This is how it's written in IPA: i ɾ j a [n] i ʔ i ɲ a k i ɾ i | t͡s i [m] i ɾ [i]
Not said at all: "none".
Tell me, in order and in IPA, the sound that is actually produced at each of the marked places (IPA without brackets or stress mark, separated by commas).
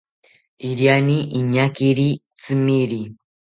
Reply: n, m, i